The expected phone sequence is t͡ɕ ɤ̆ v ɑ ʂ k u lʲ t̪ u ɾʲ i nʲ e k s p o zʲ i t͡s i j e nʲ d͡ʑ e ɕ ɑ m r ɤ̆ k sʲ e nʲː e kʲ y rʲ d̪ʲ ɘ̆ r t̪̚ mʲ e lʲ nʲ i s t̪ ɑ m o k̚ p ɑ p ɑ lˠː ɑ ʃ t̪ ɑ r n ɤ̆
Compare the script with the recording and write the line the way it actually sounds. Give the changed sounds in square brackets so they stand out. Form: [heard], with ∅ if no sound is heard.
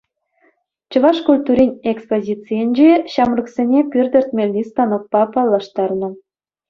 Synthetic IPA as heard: t͡ɕ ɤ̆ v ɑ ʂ k u lʲ t̪ u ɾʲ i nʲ e k s p o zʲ i t͡s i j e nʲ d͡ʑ e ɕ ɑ m r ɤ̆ k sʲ e [nʲ] e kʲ y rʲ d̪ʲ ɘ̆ r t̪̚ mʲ e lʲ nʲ i s t̪ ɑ [n] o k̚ p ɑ p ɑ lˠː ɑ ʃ t̪ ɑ r n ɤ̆